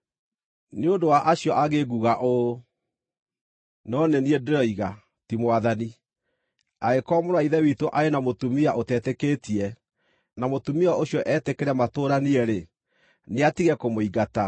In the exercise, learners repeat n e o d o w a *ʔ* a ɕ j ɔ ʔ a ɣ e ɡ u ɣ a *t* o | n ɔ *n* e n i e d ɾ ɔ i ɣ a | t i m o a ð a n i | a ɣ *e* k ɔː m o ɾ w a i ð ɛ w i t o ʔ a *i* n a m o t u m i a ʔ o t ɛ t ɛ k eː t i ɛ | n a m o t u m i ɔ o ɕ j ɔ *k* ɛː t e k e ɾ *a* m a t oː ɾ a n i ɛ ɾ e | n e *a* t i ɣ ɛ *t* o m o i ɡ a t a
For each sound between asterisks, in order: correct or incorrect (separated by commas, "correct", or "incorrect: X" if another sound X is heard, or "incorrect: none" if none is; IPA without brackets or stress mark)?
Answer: correct, incorrect: ʔ, correct, correct, incorrect: e, incorrect: ʔ, incorrect: ɛ, correct, incorrect: k